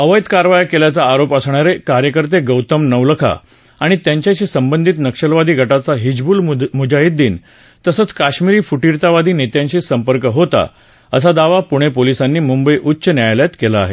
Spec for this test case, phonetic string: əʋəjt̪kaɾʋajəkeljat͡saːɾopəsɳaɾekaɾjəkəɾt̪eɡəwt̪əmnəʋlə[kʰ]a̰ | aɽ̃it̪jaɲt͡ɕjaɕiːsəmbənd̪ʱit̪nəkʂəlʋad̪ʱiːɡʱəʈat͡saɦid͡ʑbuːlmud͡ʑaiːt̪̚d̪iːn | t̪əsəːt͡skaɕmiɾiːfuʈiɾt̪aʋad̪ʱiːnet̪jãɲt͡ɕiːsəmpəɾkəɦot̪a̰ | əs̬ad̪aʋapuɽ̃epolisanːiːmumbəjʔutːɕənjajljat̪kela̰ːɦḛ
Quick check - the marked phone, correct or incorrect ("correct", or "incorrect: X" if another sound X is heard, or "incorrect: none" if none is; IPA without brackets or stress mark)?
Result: correct